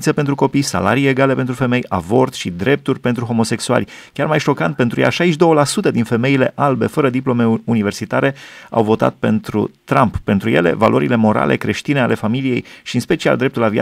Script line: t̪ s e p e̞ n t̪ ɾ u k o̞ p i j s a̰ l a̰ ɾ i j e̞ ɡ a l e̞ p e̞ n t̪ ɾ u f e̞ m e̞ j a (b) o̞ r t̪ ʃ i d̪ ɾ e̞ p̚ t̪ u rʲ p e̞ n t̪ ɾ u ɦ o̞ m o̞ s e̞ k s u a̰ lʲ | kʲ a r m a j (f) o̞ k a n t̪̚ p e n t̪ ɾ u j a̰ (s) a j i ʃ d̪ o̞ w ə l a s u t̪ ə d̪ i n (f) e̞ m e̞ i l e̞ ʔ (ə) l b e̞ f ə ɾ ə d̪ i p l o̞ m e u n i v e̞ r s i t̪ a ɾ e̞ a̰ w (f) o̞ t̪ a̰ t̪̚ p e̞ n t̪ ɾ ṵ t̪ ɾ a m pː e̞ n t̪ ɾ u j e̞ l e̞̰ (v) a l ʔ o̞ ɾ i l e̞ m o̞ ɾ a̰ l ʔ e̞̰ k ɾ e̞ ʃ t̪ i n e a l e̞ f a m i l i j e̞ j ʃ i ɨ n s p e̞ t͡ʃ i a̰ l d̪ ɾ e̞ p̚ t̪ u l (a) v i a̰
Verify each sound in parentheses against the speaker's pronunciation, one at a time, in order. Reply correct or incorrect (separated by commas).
incorrect, incorrect, incorrect, correct, incorrect, incorrect, correct, correct